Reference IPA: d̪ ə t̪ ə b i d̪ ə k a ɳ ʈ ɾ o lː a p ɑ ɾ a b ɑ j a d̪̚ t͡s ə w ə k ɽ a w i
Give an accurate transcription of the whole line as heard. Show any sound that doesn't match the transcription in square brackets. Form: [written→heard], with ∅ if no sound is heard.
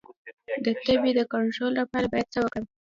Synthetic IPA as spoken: d̪ ə t̪ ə b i d̪ ə k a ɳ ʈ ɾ o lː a p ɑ ɾ a b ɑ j a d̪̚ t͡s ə w ə k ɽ a w i